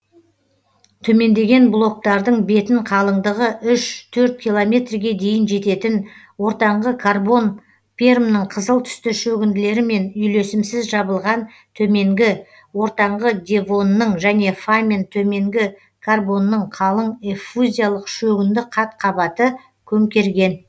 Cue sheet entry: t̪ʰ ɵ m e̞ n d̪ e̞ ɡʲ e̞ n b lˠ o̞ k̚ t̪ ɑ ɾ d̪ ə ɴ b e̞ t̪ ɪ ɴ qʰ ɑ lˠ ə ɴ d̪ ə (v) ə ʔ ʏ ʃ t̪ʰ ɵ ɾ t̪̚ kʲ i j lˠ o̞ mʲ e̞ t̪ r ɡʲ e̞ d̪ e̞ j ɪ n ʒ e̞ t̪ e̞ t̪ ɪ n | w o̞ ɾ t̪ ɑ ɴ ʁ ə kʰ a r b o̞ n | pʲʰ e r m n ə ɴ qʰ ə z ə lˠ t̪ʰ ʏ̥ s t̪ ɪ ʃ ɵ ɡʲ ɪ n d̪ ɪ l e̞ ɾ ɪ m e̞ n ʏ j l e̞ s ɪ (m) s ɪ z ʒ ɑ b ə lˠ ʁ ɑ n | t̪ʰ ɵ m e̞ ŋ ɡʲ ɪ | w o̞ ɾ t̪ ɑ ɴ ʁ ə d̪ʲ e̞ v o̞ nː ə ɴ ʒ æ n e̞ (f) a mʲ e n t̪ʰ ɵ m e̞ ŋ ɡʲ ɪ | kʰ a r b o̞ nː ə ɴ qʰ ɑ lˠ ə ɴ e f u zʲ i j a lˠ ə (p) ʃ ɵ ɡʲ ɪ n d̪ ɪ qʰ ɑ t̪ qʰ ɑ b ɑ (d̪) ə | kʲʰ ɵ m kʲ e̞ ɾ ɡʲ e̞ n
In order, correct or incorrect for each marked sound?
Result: incorrect: ʁ, correct, correct, incorrect: q, incorrect: t̪

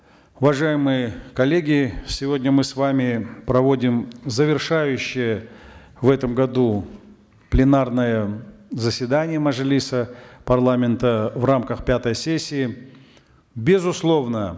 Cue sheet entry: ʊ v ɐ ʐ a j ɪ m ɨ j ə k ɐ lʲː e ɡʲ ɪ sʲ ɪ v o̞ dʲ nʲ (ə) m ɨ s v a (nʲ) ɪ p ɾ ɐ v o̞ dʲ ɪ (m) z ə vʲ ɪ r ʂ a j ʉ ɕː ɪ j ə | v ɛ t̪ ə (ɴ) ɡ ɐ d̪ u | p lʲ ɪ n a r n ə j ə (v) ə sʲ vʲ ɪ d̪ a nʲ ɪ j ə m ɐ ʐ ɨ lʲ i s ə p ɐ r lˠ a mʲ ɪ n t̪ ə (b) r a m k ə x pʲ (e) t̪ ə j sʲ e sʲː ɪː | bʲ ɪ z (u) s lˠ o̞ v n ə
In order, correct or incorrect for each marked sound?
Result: correct, incorrect: mʲ, correct, incorrect: m, incorrect: z, incorrect: v, incorrect: a, incorrect: ʊ

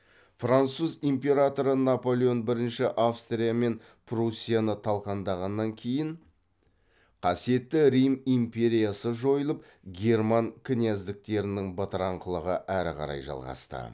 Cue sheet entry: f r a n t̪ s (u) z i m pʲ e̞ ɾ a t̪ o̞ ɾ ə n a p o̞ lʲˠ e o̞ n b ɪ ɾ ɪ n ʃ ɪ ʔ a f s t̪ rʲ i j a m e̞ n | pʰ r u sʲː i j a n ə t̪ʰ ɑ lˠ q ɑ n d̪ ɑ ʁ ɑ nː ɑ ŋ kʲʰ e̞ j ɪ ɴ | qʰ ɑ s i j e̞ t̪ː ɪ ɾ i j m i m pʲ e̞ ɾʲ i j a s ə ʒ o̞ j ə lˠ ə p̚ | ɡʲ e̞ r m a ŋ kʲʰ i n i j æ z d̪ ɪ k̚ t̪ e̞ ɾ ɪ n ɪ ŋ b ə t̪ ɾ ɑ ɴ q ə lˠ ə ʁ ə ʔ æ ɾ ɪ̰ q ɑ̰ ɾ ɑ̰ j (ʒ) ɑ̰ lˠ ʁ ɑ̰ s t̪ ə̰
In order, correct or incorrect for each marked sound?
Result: correct, correct

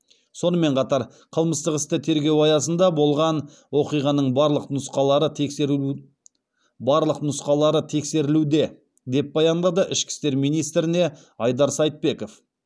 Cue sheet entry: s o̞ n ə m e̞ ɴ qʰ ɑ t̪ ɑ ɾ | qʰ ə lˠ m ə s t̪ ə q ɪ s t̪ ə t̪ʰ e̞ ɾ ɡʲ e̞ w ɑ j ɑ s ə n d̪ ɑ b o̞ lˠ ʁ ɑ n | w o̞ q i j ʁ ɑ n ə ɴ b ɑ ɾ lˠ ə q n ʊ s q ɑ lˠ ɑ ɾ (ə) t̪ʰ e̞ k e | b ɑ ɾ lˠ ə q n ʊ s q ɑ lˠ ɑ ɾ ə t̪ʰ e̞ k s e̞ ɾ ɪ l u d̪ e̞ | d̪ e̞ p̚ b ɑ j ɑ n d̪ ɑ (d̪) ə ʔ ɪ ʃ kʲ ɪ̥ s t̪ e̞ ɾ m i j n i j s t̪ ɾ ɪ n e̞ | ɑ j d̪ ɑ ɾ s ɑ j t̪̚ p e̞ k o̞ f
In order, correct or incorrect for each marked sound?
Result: correct, correct

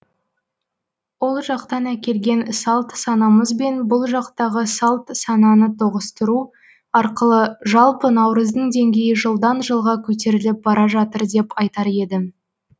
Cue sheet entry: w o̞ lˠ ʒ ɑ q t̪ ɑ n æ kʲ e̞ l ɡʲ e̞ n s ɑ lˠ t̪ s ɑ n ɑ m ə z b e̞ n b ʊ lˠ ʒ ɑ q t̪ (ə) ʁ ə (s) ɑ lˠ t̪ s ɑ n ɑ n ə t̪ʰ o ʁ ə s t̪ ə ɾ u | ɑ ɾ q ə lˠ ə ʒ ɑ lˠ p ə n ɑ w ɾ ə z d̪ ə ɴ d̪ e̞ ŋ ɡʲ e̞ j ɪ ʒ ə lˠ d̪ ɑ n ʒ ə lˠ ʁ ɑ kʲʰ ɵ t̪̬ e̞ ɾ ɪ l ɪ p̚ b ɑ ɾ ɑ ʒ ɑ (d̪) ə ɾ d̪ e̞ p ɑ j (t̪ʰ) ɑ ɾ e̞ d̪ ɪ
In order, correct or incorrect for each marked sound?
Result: incorrect: ɑ, correct, incorrect: t̪, incorrect: t̪

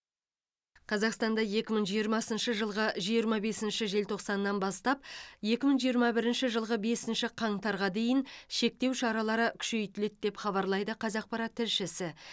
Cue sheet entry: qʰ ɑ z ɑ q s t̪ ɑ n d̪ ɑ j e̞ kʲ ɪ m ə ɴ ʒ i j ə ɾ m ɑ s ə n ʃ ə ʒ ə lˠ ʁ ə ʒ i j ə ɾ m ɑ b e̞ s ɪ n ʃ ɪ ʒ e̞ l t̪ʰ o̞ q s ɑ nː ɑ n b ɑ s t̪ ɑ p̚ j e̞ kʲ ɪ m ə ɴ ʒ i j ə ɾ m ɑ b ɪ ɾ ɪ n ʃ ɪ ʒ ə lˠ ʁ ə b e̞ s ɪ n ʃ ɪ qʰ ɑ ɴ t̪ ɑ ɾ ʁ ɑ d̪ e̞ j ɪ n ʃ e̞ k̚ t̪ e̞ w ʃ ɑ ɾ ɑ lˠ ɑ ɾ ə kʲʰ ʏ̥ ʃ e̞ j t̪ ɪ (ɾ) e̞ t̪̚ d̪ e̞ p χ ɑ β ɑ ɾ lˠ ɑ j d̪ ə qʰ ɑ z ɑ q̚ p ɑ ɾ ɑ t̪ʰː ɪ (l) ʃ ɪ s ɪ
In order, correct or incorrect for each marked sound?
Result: incorrect: l, incorrect: ɾ

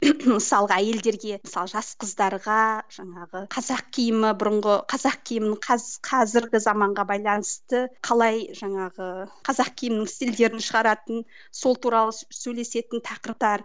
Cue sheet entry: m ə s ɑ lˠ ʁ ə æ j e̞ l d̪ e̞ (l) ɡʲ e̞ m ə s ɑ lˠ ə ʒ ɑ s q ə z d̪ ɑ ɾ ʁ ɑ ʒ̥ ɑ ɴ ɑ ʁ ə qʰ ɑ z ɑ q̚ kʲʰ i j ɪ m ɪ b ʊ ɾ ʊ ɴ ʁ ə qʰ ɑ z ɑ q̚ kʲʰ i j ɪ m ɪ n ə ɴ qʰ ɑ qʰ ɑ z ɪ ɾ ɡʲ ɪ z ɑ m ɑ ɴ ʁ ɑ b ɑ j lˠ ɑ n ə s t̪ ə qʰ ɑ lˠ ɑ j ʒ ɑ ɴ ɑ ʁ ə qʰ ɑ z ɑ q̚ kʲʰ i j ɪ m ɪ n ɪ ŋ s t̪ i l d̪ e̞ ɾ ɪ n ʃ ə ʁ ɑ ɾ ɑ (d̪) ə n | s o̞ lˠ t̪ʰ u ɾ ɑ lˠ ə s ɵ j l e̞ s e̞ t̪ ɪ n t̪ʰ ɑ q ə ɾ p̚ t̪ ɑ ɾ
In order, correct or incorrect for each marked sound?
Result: incorrect: ɾ, incorrect: t̪

